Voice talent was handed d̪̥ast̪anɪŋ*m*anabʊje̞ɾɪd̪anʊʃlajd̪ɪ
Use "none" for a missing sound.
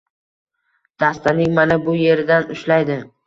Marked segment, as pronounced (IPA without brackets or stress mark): m